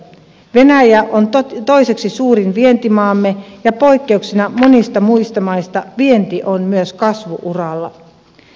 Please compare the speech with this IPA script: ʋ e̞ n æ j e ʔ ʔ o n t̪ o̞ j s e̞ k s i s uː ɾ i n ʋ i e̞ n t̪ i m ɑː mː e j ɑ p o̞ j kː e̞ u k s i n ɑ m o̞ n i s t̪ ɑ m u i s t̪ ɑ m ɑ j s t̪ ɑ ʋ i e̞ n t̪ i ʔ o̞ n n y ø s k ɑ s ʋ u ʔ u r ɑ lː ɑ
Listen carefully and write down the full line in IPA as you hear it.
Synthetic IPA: ʋ e̞ n æ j æ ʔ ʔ o n t̪ o̞ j s e̞ k s i s uː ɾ i n ʋ i e̞ n t̪ i m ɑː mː e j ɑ p o̞ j kː e̞ u k s i n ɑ m o̞ n i s t̪ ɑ m u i s t̪ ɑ m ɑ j s t̪ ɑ ʋ i e̞ n t̪ i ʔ o̞ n m y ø s k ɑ s ʋ u ʔ u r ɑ lː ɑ

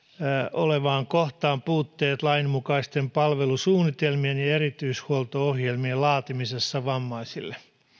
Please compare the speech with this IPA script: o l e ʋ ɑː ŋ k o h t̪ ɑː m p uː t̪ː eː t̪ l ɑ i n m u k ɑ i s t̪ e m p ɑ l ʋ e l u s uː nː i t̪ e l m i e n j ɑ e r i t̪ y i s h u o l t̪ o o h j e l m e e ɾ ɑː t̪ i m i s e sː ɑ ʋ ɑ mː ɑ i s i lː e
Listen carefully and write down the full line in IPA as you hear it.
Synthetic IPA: o l e ʋ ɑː ŋ k o h t̪ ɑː m p uː t̪ː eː t̪ l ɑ i n m u k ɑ i s t̪ e m p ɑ l ʋ e l u s uː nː i t̪ e l m i e n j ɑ e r i t̪ y i s h u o l t̪ o o h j e l m i e l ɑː t̪ i m i s e sː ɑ ʋ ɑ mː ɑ i s i lː e

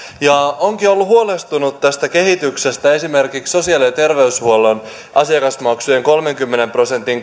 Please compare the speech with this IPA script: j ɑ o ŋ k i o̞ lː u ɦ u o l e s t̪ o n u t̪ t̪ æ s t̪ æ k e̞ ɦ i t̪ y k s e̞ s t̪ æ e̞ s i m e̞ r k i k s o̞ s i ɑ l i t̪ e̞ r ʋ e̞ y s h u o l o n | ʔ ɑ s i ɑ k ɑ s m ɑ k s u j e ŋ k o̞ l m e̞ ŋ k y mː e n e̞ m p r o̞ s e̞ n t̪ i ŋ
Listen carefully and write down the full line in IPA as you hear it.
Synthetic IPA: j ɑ o ŋ k i o̞ lː u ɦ u o l e s t̪ u n u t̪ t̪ æ s t̪ æ k e̞ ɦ i t̪ y k s e̞ s t̪ æ e̞ s i m e̞ r k i k s o̞ s i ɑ l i t̪ e̞ r ʋ e̞ y s h u o l o n | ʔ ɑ s i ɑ k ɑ s m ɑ k s u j e ŋ k o̞ l m e̞ ŋ k y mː e n e̞ m p r o̞ s e̞ n t̪ i ŋ

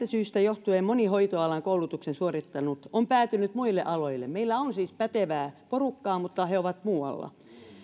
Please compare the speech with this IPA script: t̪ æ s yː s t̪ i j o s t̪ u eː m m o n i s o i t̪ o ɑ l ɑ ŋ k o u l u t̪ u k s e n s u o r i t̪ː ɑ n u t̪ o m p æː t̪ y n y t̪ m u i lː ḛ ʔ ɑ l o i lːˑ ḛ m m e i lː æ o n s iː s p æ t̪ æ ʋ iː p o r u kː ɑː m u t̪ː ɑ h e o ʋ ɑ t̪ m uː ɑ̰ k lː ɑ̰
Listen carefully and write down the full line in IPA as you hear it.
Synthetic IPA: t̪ æ s yː s t̪ æ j o h t̪ u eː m m o n i h o i t̪ o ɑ l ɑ ŋ k o u l u t̪ u k s e n s u o r i t̪ː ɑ n u t̪ o m p æː t̪ y n y t̪ m u i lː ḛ ʔ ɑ l o i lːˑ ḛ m m e i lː æ o n s iː s p æ t̪ e ʋ æː p o r u kː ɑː m u t̪ː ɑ h e o ʋ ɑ t̪ m uː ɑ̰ lː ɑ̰

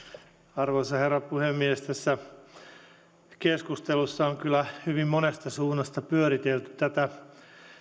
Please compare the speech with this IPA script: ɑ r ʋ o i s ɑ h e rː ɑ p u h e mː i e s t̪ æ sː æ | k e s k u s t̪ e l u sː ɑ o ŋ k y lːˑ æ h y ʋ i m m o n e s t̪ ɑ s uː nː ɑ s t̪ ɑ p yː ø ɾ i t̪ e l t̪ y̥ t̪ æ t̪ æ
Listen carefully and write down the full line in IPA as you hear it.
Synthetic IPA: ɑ r ʋ o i s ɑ h e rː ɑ p u h e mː i e s t̪ æ sː æ | k e s k u s t̪ e l u sː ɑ o ŋ k y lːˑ æ h y ʋ i m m o n e s t̪ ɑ s uː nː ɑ s t̪ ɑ p y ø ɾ i t̪ e l t̪ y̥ t̪ æ t̪ æ

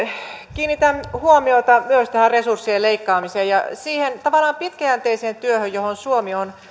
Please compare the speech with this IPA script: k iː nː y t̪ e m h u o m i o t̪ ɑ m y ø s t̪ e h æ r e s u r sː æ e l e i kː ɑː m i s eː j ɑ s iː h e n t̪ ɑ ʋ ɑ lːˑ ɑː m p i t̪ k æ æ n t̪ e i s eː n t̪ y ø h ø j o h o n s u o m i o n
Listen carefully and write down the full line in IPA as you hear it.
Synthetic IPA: k iː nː i t̪ æ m h u o m i o t̪ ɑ m y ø s t̪ æ h æ r e s u r sː i e l e i kː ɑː m i s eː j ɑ s iː h e n t̪ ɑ ʋ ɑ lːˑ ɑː m p i t̪ k æ æ n t̪ e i s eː n t̪ y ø h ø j o h o n s u o m i o n

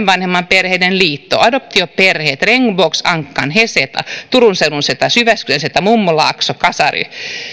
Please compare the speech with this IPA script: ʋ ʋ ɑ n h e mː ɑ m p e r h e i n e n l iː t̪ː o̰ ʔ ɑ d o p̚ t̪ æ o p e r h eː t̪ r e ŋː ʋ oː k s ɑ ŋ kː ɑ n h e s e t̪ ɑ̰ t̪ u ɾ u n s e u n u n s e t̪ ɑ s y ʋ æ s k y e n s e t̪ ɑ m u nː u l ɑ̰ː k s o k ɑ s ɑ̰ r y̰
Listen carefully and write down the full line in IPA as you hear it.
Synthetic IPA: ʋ ʋ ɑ n h e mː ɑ m p e r h e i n e n l iː t̪ː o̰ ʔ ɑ d o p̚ t̪ i o p e r h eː t̪ r e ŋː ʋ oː k s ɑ ŋ kː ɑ n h e s e t̪ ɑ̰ t̪ u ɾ u n s e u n u n s e t̪ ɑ s y ʋ æ s k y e n s e t̪ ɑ m u mː u l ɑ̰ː k s o k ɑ s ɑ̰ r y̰

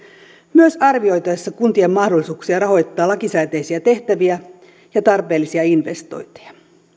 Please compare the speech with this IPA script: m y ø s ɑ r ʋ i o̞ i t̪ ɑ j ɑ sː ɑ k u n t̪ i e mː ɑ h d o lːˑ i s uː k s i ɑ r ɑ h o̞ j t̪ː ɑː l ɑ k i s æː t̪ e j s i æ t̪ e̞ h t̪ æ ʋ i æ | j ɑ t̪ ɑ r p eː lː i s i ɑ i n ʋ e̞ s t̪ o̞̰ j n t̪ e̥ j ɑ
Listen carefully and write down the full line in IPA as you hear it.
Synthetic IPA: m y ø s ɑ r ʋ i o̞ j t̪ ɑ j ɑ sː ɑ k u n t̪ i e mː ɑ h d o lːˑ i s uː k s i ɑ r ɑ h o̞ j t̪ː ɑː l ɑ k i s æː t̪ e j s i æ t̪ e̞ h t̪ æ ʋ i æ | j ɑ t̪ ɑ r p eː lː i s i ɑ i n ʋ e̞ s t̪ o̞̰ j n t̪ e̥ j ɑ

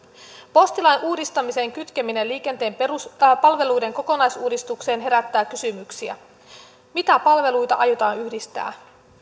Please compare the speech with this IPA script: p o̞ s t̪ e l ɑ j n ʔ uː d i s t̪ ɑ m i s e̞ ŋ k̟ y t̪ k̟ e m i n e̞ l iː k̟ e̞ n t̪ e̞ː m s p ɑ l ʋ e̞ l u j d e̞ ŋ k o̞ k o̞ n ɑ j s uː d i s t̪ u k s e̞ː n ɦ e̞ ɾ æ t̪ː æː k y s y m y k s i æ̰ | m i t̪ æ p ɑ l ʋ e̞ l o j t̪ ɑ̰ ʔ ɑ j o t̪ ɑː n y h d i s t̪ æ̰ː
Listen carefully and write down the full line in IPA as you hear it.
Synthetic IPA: p o̞ s t̪ i l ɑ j n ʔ uː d i s t̪ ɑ m i s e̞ ŋ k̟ y t̪ k̟ e m i n e̞ l iː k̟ e̞ n t̪ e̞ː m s p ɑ l ʋ e̞ l u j d e̞ ŋ k o̞ k o̞ n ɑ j s uː d i s t̪ u k s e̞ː n ɦ e̞ ɾ æ t̪ː æː k y s y m y k s i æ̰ | m i t̪ æ p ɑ l ʋ e̞ l u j t̪ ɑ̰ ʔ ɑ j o t̪ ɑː n y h d i s t̪ æ̰ː

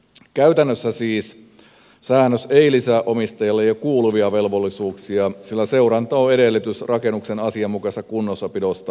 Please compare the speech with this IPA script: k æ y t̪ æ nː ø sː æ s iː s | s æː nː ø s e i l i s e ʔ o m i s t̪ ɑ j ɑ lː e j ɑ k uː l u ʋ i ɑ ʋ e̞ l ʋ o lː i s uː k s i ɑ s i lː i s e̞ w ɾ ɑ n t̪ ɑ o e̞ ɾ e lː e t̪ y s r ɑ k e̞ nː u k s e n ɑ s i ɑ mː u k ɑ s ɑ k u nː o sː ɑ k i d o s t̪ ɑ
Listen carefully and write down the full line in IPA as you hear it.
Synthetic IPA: k æ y t̪ æ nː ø sː æ s iː s | s æː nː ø s e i l i s æ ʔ o m i s t̪ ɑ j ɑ lː e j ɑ k uː l u ʋ i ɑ ʋ e̞ l ʋ o lː i s uː k s i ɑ s i lː æ s e̞ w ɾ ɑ n t̪ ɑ o e̞ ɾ e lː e t̪ y s r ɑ k e̞ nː u k s e n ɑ s i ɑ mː u k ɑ s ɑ k u nː o sː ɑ p i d o s t̪ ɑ

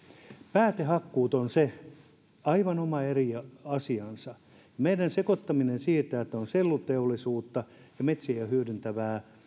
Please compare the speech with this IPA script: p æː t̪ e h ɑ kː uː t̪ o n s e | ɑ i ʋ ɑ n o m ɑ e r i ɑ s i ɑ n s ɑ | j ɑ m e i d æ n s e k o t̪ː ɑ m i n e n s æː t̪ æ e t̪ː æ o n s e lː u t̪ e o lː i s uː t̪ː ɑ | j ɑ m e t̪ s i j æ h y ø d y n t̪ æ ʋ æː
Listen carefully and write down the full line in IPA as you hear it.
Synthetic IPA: p æː t̪ e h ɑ kː uː t̪ o n s e | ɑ i ʋ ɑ n o m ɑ e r i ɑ s i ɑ n s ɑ | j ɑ m e i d æ n s e k o t̪ː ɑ m i n e n s iː t̪ æ e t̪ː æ o n s e lː u t̪ e o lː i s uː t̪ː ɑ | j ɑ m e t̪ s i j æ h y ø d y n t̪ æ ʋ æː

